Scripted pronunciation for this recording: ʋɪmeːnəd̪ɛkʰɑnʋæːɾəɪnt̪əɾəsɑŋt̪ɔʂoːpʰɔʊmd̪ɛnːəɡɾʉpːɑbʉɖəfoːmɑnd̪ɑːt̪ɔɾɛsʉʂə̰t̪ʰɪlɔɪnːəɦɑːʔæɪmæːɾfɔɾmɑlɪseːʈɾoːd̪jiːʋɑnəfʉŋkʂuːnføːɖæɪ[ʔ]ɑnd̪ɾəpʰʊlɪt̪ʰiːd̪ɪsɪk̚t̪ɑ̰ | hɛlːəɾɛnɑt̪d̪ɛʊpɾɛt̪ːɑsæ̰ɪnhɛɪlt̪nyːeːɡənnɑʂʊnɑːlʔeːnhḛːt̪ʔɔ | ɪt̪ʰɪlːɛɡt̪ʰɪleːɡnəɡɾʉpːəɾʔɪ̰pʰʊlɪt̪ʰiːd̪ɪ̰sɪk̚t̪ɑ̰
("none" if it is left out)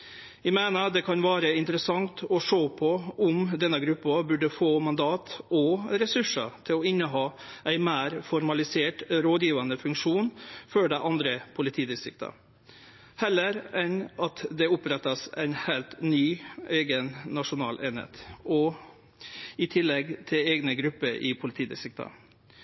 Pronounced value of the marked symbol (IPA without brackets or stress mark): ʔ